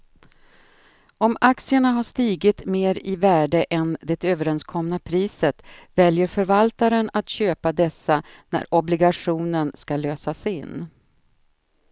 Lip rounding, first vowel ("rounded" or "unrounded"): rounded